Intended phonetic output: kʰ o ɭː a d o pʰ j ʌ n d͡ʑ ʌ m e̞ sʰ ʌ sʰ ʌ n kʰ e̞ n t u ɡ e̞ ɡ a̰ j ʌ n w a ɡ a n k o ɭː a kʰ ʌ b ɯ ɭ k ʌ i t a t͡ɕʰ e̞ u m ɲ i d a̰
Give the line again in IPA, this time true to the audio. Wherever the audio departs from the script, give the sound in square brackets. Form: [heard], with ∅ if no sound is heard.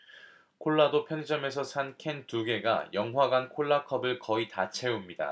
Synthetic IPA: kʰ o ɭː a d o pʰ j ʌ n d͡ʑ ʌ m e̞ sʰ ʌ sʰ [a] n kʰ e̞ n t u ɡ e̞ ɡ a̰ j ʌ [ŋ] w a ɡ a n [kʰ] o ɭː a kʰ ʌ b ɯ ɭ k ʌ i t a t͡ɕʰ e̞ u m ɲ i d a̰